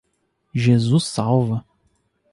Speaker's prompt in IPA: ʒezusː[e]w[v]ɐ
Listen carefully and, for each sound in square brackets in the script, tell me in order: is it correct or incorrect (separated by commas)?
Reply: incorrect, correct